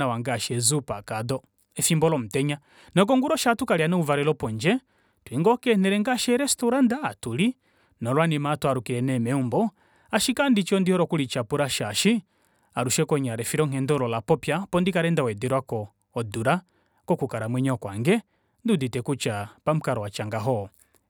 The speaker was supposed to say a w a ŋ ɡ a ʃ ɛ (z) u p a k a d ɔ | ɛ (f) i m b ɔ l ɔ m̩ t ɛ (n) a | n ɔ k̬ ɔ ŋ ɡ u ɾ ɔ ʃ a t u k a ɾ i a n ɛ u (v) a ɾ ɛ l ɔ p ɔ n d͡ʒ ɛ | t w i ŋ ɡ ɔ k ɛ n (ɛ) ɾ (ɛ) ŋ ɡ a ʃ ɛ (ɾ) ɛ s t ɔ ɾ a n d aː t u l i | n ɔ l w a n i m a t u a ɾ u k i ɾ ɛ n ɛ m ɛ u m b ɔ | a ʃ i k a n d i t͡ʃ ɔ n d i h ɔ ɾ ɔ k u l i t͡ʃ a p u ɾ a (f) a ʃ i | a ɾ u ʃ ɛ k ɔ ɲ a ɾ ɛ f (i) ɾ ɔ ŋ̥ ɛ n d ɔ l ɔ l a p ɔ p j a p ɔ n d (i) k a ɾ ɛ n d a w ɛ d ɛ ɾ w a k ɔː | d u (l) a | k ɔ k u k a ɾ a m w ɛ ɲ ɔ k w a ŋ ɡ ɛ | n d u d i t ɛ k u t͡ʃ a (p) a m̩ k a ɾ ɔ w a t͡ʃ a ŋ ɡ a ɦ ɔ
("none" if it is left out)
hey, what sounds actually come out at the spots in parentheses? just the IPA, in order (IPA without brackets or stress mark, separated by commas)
z, f, ɲ, v, ɛ, ɛ, ɾ, ʃ, i, i, ɾ, p